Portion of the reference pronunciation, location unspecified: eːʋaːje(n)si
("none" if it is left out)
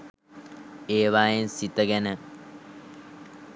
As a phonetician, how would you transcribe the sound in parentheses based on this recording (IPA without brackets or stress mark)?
n